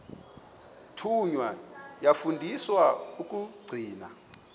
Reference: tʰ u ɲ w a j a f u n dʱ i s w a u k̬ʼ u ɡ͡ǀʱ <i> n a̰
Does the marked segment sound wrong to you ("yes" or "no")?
yes